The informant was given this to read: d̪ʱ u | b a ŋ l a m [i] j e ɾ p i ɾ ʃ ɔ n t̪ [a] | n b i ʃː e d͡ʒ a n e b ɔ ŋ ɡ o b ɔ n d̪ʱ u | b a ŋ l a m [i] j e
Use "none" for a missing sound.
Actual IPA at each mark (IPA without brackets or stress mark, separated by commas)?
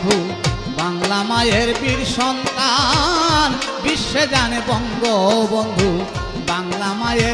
a, a, a